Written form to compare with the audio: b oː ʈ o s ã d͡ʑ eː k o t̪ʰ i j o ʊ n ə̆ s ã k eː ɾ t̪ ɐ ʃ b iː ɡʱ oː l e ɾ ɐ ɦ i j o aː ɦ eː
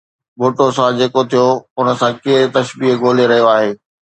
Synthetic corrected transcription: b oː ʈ o s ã d͡ʑ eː k o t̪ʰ i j o ʊ n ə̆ s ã k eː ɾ t̪ ɐ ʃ b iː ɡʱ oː l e ɾ ɐ ɦ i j o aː ɦ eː